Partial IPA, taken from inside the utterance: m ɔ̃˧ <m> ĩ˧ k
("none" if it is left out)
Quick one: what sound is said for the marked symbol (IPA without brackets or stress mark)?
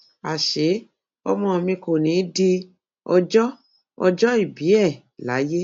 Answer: m